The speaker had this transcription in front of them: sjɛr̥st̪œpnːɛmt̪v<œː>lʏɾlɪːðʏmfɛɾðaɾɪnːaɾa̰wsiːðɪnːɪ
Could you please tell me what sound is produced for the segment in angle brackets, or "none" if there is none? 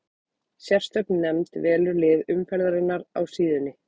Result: ɛː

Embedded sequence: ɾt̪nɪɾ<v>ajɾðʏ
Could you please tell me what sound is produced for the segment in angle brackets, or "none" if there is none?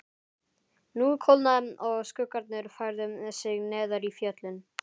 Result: f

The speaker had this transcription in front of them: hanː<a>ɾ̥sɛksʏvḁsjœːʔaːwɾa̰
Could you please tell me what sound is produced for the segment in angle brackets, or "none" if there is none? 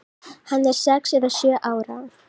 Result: ɛ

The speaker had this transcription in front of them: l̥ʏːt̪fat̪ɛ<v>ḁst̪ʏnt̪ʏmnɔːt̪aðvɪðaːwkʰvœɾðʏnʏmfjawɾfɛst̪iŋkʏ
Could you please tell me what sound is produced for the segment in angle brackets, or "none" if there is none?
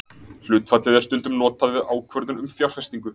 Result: ð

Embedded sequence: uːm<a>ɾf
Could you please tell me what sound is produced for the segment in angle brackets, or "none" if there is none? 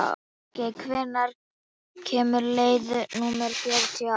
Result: ɛ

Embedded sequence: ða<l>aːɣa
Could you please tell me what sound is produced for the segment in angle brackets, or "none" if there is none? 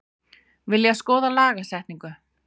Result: l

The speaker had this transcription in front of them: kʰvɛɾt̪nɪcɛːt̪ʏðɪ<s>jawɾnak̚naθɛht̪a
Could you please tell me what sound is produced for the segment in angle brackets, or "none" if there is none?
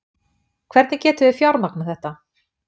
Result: f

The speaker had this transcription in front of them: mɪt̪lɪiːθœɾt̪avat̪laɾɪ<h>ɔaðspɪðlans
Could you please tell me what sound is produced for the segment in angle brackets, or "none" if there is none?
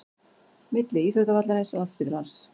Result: s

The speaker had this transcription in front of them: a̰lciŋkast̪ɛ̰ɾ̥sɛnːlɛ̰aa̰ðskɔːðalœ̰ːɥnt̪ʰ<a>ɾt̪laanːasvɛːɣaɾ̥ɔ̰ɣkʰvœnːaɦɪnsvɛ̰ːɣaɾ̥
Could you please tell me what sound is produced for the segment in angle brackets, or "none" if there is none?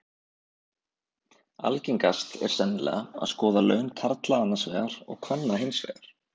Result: a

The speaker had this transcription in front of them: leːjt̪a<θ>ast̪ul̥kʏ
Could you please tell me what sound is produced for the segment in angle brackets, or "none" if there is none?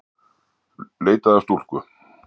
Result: ð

